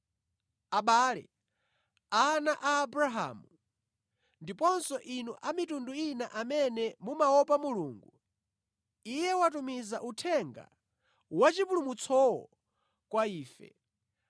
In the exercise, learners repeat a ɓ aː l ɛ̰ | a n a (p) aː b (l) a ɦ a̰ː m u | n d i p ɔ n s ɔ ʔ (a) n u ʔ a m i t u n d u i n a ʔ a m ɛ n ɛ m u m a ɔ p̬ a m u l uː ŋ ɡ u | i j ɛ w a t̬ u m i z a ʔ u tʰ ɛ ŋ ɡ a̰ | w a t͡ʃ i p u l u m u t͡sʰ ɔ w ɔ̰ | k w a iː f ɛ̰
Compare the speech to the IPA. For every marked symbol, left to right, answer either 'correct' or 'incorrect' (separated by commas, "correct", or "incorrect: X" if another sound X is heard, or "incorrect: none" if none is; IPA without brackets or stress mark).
incorrect: ʔ, incorrect: ɾ, incorrect: i